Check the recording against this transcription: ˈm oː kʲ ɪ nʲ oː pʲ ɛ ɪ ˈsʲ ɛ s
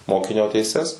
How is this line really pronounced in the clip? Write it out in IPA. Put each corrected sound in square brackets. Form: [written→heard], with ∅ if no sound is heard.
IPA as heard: ˈm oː kʲ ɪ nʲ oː [pʲ→tʲ] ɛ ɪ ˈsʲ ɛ s